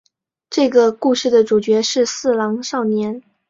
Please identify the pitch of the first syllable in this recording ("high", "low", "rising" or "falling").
falling